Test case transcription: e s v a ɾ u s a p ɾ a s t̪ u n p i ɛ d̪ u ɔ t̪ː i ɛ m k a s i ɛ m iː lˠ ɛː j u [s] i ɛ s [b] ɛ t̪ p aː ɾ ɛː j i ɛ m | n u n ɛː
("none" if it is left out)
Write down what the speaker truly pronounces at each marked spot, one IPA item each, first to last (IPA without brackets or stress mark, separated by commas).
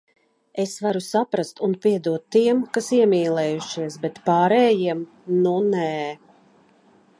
ʃ, b